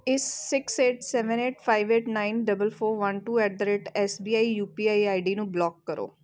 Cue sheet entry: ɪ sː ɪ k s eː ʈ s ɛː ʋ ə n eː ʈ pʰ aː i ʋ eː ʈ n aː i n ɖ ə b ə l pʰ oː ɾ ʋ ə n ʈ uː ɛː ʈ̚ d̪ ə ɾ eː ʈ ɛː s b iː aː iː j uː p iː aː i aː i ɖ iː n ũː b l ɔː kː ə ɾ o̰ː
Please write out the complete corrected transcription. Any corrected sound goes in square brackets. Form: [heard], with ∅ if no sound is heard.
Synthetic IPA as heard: ɪ sː ɪ k s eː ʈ s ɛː ʋ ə n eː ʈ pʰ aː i ʋ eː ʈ n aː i n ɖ ə b ə l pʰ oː ɾ ʋ ə n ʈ uː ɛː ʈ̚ d̪ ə ɾ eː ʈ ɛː s b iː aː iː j uː p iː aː i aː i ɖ iː n ũː b l ɔː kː ə ɾ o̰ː